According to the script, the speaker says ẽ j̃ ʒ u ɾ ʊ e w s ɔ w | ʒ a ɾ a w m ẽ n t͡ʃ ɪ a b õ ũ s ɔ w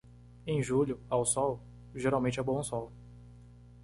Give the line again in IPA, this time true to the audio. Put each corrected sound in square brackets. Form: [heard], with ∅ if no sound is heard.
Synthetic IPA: ẽ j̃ ʒ u [ʎ] ʊ [a] w s ɔ w | ʒ [e] ɾ a w m ẽ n t͡ʃ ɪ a b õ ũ s ɔ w